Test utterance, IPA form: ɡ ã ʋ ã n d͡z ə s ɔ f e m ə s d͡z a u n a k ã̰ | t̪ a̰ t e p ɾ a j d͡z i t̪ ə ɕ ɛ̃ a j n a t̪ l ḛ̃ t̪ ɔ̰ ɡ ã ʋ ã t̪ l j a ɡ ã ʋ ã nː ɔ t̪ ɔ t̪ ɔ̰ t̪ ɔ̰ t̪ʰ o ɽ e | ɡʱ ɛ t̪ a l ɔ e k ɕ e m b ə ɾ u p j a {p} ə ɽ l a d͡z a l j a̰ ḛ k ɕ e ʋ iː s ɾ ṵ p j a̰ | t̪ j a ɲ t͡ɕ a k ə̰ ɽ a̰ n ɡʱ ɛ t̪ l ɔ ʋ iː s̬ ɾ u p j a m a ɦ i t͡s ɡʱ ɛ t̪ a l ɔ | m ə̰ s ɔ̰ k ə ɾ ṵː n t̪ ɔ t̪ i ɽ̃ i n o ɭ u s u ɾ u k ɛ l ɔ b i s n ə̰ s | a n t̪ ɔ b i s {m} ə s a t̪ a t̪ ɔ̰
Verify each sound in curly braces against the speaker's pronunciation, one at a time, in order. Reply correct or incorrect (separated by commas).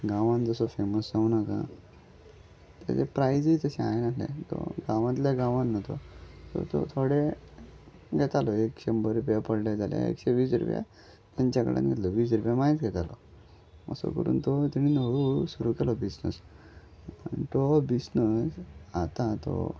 correct, incorrect